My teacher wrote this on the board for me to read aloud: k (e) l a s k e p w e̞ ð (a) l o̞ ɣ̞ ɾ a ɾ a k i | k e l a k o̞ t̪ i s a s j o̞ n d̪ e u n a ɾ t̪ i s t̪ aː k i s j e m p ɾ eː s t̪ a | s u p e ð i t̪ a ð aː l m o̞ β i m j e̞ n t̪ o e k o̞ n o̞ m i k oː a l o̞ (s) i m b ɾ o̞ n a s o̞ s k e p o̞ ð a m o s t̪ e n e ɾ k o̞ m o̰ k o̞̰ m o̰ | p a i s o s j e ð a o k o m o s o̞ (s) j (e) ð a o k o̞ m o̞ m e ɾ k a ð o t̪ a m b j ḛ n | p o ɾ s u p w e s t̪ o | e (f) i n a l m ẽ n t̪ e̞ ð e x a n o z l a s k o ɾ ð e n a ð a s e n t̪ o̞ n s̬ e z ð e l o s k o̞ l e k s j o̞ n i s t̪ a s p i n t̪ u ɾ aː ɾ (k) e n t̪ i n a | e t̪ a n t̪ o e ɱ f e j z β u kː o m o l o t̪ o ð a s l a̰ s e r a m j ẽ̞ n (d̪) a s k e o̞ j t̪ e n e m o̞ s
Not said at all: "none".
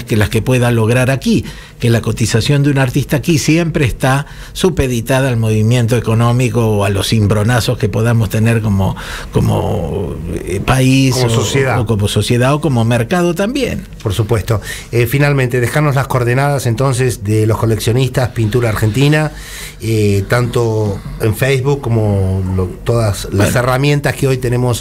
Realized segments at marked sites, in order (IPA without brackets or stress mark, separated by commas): e, a, s, s, e, f, x, t̪